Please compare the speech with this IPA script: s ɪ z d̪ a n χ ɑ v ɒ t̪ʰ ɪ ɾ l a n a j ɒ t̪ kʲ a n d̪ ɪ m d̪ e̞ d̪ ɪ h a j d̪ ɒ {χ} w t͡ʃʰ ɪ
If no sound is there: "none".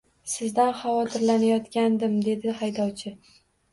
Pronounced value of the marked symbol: none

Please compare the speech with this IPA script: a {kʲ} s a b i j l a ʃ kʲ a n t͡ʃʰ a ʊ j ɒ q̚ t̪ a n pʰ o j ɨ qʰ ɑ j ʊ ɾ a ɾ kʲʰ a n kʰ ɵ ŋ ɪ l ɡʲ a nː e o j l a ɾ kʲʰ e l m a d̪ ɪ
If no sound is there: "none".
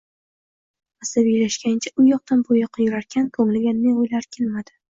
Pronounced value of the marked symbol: none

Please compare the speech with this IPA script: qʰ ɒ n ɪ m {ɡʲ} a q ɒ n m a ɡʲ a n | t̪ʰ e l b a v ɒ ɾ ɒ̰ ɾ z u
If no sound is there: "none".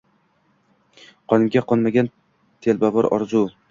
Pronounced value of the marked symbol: ɡʲ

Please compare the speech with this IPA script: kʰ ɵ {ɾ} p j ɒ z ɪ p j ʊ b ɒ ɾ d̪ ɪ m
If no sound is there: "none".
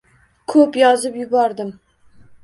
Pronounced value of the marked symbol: none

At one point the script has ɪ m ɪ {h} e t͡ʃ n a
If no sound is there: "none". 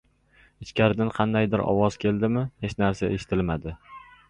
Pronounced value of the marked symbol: h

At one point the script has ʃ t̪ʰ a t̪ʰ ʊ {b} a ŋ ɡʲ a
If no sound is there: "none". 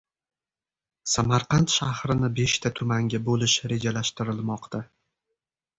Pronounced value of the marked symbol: m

